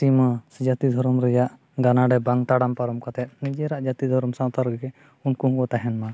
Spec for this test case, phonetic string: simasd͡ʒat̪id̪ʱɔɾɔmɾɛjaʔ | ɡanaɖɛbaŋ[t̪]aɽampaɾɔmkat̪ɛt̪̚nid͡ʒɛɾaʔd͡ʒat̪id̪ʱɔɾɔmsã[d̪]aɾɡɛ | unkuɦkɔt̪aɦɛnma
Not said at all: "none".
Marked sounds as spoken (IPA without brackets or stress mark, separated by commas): t̪, t̪